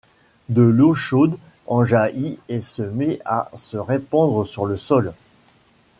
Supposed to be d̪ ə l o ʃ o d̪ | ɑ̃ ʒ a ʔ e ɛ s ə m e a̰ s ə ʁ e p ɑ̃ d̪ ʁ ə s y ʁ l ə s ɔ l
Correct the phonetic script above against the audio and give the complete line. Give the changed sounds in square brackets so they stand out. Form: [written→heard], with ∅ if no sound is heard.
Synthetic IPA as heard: d̪ ə l o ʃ o d̪ | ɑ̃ ʒ a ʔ [e→i] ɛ s ə m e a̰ s ə ʁ e p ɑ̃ d̪ ʁ ə s y ʁ l ə s ɔ l